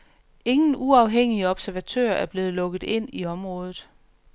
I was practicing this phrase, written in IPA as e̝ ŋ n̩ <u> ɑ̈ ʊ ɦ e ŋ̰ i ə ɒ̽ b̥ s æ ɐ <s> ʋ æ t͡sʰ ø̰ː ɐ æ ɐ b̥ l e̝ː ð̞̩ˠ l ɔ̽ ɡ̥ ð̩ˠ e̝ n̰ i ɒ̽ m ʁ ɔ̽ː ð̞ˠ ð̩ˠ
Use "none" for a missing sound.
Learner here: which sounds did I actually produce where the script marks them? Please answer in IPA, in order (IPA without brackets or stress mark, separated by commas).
u, none